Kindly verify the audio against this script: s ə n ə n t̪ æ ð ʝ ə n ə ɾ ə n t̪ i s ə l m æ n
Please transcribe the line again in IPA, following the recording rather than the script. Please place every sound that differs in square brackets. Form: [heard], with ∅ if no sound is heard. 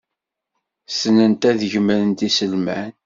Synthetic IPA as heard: s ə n ə n t̪ æ ð ʝ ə [m] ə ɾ ə n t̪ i s ə l m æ n